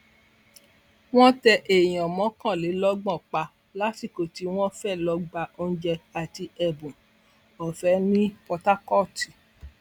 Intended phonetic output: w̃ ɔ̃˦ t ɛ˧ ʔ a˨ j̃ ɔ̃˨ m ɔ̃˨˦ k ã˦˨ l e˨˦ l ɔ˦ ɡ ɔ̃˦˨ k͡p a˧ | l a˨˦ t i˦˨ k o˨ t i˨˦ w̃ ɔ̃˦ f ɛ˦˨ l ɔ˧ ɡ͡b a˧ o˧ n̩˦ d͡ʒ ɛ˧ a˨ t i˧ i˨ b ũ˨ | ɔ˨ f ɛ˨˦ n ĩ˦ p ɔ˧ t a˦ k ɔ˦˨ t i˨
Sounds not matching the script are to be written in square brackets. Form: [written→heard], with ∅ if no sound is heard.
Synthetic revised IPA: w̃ ɔ̃˦ t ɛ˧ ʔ [a˨→e˨] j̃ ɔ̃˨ m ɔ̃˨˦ k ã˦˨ l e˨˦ l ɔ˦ [ɡ→ɡ͡b] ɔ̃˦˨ k͡p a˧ | l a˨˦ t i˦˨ k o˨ t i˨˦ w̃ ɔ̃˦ f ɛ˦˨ l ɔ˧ ɡ͡b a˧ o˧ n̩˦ d͡ʒ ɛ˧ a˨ t i˧ [i˨→ɛ˨] b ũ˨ | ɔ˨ f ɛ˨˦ n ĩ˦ p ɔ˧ t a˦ k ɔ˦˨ t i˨